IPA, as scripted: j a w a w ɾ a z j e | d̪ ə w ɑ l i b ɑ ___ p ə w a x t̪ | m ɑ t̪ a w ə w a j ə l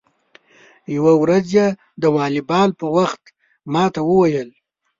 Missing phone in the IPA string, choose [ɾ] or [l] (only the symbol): l